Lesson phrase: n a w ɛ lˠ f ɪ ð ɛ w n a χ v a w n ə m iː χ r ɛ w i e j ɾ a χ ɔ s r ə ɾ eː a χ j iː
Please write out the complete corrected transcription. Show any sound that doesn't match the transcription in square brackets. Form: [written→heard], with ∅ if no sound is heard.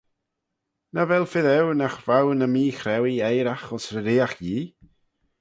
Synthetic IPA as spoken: n a [w→v] ɛ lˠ f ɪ ð ɛ w n a χ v a w n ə m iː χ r ɛ w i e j ɾ a χ ɔ s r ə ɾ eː a χ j iː